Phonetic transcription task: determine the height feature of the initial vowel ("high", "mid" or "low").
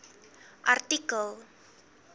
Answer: low